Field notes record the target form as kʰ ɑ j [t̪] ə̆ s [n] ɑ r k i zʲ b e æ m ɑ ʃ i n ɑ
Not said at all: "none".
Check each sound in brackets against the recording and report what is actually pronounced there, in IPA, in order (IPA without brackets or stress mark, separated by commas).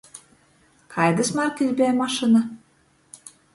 d̪, m